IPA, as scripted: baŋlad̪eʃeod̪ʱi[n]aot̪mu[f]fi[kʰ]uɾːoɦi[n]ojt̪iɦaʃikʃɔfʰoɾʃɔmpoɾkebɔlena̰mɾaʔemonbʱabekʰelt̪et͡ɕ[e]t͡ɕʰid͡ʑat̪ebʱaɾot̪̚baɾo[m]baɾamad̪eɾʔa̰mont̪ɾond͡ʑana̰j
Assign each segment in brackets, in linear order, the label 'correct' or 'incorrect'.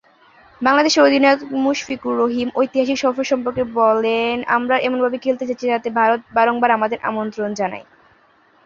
correct, incorrect: ʃ, incorrect: k, incorrect: m, incorrect: a, incorrect: ŋ

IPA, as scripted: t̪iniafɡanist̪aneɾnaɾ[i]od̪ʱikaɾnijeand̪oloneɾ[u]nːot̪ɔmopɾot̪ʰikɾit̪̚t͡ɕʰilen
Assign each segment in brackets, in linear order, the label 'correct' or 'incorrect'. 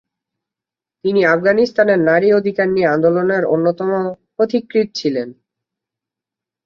correct, incorrect: o

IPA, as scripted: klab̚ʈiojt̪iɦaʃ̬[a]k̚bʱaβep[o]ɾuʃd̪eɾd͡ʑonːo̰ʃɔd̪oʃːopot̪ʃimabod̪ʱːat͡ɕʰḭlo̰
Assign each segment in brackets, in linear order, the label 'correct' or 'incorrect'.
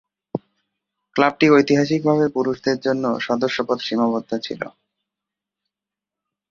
incorrect: i, incorrect: u

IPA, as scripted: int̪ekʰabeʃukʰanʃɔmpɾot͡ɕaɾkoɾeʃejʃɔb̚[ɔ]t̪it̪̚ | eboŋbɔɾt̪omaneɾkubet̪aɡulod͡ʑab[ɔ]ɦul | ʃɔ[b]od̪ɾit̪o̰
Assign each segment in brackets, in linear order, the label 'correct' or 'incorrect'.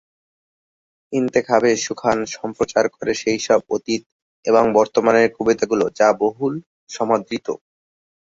incorrect: o, incorrect: o, incorrect: m

